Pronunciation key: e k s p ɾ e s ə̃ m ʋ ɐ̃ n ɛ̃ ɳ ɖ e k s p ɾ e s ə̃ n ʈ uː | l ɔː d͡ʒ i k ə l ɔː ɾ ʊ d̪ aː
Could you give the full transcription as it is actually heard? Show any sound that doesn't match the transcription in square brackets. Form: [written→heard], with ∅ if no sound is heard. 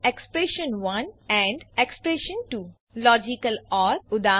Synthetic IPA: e k s p ɾ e [s→ʃ] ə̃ [m→n] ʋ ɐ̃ n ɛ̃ ɳ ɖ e k s p ɾ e [s→ʃ] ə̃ n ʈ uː | l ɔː d͡ʒ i k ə l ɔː ɾ ʊ d̪ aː